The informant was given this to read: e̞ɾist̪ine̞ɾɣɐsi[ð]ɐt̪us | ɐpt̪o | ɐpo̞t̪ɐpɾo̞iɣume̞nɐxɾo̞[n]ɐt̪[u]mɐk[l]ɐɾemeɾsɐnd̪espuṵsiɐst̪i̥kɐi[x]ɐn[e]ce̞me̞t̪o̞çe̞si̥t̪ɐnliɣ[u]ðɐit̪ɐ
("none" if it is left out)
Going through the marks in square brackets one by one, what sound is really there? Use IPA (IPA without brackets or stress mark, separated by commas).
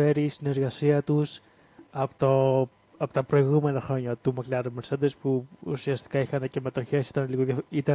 none, ɲ, u, l, x, e, o